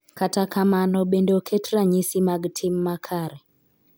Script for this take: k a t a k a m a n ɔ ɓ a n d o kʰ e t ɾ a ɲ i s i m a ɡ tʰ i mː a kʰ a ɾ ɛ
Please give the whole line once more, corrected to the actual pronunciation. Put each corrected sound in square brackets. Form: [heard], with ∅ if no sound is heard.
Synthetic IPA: k a t a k a m a n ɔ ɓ [e] n d o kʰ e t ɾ a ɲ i s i m a ɡ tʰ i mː a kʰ a ɾ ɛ